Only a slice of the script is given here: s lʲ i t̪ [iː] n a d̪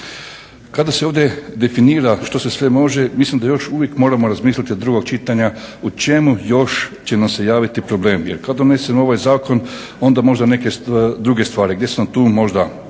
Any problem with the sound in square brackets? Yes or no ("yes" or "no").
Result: yes